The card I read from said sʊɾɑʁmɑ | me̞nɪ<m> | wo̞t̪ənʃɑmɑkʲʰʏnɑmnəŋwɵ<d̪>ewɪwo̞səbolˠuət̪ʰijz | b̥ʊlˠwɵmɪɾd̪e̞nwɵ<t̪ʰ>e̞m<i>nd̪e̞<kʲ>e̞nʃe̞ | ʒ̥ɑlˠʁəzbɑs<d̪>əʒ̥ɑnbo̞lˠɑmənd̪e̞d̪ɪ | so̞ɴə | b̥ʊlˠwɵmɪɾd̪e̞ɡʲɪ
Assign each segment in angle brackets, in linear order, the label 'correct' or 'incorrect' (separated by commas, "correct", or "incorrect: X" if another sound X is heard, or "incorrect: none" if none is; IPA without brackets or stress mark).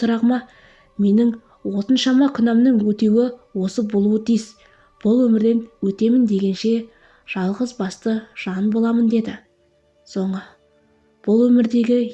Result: incorrect: ŋ, incorrect: t̪, incorrect: t̪, incorrect: ɪ, incorrect: ɡʲ, incorrect: t̪